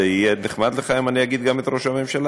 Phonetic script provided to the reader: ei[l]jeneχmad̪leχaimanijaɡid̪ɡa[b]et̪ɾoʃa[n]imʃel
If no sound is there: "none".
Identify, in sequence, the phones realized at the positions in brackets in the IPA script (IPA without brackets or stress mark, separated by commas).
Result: none, m, m